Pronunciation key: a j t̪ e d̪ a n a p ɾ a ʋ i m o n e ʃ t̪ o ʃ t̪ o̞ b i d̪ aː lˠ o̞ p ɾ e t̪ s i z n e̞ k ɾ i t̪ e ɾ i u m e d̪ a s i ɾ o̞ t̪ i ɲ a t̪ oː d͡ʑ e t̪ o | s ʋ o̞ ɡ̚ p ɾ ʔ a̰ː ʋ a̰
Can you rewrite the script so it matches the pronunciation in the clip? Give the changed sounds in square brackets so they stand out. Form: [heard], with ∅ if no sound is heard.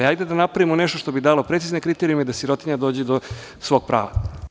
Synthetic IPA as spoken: a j [d̪] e d̪ a n a p ɾ a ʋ i m o n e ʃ t̪ o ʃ t̪ o̞ b i d̪ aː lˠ o̞ p ɾ e t̪ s i z n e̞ k ɾ i t̪ e ɾ i u m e d̪ a s i ɾ o̞ t̪ i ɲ a [d̪] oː d͡ʑ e [d̪] o | s ʋ o̞ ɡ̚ p ɾ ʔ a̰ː ʋ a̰